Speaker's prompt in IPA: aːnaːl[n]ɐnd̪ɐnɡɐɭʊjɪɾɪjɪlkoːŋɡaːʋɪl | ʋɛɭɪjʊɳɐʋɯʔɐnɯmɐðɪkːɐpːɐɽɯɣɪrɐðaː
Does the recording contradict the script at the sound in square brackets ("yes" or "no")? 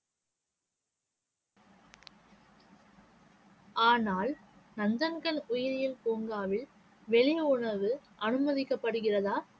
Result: no